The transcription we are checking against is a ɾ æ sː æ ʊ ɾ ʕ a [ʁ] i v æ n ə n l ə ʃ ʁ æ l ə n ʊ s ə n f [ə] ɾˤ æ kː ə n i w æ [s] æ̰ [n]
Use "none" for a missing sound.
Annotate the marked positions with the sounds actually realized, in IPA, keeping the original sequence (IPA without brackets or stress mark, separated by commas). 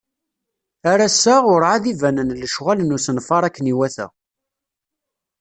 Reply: ð, ɑ, θ, none